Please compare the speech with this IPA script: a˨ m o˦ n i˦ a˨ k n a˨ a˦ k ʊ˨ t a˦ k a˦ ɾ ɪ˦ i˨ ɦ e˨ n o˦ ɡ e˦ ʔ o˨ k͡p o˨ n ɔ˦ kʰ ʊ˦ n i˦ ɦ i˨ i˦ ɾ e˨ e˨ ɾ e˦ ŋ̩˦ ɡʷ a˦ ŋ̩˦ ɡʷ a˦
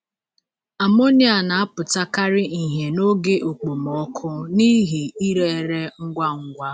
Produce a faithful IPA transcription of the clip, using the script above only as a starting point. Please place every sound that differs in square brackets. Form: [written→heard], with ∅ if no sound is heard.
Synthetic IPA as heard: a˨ m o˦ n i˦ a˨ [k→∅] n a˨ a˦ [k→p] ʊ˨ t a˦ k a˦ ɾ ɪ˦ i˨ ɦ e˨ n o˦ ɡ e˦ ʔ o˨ k͡p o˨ [n→m] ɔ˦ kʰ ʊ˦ n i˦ ɦ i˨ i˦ ɾ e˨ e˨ ɾ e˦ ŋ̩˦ ɡʷ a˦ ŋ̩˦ ɡʷ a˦